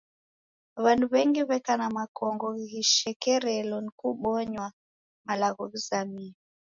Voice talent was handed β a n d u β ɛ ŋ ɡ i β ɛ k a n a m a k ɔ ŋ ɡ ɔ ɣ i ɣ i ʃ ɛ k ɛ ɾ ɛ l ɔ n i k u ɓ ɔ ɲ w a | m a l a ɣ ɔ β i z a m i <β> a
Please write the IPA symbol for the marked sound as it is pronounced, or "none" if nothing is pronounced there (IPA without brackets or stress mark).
none